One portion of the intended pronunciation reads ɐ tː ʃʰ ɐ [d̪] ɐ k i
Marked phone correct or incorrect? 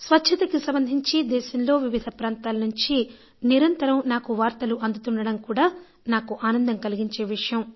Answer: incorrect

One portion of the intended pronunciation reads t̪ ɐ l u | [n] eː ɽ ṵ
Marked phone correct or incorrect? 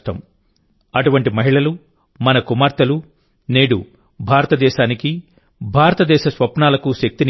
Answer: correct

